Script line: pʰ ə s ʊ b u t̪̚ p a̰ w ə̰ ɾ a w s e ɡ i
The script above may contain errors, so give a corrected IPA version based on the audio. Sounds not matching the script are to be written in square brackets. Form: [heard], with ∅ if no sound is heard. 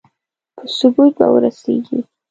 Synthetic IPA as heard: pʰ ə s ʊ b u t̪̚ [b] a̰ w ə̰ ɾ a [∅] s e ɡ i